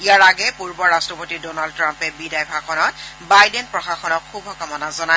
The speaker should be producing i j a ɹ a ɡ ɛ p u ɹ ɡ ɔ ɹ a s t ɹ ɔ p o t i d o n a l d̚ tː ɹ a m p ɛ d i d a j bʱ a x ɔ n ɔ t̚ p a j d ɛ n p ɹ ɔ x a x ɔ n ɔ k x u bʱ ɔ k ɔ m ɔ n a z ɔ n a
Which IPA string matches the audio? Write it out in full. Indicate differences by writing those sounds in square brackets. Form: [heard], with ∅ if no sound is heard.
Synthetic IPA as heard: i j a ɹ a ɡ ɛ p u ɹ [b] ɔ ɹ a s t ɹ ɔ p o t i d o n a l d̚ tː ɹ a m p ɛ [b] i d a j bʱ a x ɔ n ɔ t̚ [b] a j d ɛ n p ɹ ɔ x a x ɔ n ɔ k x u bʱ ɔ k ɔ m ɔ n a z ɔ n a